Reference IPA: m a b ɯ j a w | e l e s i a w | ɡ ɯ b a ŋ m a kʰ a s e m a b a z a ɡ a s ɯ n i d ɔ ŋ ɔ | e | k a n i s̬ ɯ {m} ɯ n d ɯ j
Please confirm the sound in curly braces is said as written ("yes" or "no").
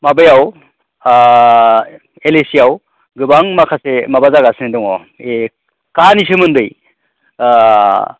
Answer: yes